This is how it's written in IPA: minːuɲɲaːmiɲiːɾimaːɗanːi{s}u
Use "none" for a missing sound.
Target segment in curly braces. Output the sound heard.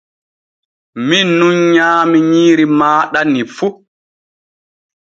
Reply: f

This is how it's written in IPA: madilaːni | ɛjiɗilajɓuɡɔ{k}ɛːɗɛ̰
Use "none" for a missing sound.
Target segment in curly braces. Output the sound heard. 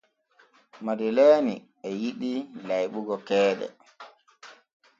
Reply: k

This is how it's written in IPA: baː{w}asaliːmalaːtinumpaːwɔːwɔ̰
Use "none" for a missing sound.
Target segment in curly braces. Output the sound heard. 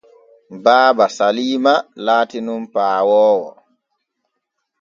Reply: b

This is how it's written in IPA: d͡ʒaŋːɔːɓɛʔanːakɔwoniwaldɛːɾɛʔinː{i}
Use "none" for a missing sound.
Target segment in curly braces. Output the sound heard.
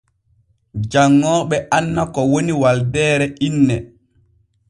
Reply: ɛ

